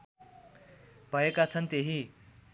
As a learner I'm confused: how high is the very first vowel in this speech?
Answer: mid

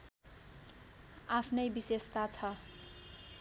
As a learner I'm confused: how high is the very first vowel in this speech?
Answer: low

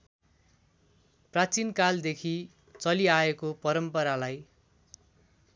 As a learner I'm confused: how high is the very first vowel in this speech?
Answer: low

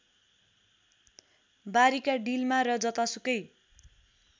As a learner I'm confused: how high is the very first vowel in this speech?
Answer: low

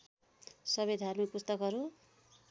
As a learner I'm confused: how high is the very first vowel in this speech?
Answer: mid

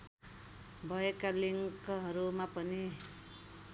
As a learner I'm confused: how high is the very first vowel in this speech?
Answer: mid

